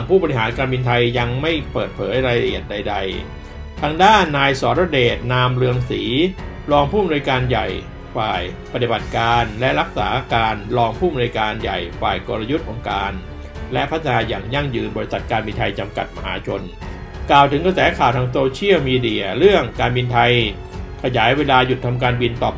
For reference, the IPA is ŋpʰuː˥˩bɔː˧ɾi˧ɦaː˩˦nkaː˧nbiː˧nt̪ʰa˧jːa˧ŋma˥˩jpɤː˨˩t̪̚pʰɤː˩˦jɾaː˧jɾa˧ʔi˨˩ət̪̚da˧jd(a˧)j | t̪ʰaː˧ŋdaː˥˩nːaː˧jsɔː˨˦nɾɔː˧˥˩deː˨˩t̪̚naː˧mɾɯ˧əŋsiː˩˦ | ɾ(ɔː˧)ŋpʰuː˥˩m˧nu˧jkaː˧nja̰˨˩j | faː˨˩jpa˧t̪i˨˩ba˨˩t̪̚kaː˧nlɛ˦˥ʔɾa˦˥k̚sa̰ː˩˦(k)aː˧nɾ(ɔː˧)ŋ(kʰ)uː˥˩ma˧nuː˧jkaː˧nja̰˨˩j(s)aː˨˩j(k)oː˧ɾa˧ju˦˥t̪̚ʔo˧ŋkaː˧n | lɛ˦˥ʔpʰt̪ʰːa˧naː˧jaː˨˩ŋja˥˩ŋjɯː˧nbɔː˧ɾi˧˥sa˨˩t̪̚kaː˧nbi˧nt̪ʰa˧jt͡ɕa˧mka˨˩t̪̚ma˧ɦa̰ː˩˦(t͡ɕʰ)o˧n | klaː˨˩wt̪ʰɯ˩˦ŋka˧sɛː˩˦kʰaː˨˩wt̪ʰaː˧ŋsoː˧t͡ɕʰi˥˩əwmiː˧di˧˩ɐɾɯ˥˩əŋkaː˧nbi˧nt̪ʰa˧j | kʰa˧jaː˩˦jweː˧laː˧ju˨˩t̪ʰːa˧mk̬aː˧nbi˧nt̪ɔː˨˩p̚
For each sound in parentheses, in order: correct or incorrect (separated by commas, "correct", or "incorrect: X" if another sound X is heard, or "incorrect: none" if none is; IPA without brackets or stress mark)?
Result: correct, correct, correct, correct, incorrect: pʰ, incorrect: f, correct, correct